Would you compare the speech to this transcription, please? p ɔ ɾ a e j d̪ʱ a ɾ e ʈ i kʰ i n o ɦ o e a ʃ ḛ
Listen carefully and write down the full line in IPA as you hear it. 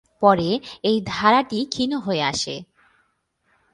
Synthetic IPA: p ɔ ɾ e e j d̪ʱ a ɾ a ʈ i kʰ i n o ɦ o e a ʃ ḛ